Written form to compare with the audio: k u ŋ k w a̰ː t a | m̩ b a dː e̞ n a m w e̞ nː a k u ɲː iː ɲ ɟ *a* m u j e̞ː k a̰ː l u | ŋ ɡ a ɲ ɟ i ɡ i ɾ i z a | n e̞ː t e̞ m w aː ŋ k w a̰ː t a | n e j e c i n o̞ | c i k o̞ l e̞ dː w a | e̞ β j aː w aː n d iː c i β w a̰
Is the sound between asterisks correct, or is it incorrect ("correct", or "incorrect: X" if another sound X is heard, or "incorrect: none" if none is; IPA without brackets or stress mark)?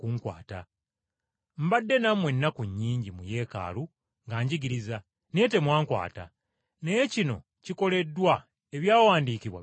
incorrect: i